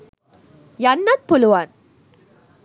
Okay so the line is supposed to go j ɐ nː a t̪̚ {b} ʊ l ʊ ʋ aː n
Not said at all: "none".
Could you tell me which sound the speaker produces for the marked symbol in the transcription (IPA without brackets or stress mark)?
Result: p